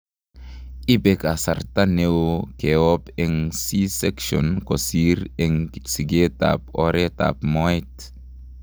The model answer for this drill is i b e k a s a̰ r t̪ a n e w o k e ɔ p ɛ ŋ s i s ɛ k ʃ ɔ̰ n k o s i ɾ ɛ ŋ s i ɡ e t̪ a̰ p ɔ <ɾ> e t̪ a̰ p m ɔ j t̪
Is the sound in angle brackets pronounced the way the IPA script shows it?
yes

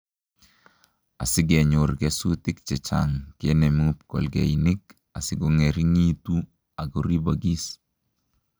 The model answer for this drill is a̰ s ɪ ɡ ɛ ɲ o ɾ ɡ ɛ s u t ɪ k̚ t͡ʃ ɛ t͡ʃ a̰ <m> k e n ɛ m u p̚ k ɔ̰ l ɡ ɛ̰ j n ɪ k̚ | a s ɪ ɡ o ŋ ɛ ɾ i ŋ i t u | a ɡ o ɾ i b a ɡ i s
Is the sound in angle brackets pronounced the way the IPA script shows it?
no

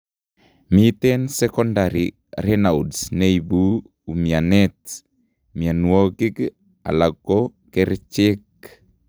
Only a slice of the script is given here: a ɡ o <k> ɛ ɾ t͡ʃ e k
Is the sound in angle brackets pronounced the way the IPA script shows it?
yes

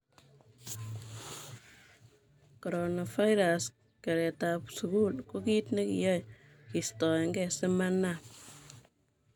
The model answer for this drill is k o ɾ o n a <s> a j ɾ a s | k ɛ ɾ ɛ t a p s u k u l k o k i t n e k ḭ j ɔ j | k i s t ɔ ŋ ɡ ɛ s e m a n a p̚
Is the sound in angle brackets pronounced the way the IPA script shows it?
no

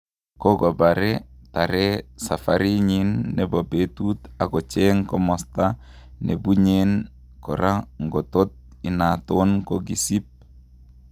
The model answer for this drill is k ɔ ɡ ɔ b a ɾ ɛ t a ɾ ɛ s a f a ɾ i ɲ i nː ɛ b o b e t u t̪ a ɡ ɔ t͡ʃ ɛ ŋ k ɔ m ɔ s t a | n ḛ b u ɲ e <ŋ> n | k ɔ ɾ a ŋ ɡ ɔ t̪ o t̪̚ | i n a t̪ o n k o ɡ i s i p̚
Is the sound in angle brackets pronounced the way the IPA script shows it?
no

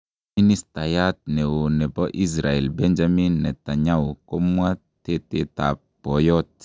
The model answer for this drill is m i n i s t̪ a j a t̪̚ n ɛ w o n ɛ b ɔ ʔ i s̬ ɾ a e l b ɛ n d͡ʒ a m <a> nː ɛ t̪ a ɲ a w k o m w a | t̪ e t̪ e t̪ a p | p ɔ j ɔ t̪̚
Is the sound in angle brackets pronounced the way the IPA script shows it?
no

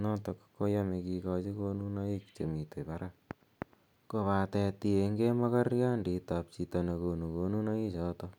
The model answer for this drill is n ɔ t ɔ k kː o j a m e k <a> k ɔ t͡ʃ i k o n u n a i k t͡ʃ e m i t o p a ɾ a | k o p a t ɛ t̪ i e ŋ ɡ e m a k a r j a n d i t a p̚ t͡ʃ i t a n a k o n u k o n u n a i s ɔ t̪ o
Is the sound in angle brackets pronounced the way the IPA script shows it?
no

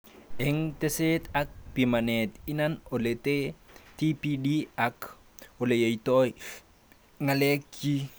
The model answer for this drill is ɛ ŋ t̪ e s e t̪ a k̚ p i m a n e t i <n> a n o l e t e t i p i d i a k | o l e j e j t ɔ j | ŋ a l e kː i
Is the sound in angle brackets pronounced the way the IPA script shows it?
yes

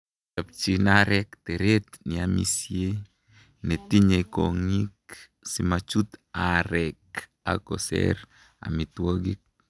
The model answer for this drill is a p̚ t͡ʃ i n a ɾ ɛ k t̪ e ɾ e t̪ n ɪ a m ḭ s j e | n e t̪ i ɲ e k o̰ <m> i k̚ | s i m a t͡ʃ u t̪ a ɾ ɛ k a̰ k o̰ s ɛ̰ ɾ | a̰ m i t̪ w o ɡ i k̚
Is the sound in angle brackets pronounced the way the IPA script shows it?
no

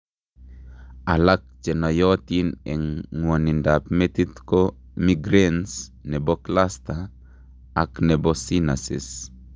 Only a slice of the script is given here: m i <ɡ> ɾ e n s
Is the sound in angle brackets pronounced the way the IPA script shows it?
yes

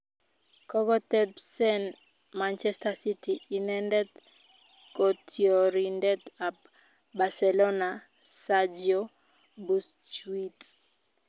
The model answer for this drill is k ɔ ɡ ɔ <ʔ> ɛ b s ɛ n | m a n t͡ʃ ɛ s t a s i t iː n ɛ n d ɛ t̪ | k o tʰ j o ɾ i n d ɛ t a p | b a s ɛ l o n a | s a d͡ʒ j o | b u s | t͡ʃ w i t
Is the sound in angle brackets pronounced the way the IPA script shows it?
no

